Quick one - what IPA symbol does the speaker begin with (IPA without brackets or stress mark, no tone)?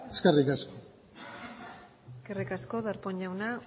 e